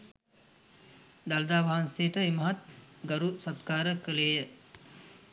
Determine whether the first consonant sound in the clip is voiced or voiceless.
voiced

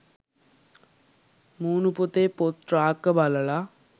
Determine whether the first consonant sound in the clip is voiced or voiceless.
voiced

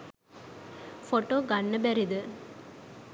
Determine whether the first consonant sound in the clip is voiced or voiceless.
voiceless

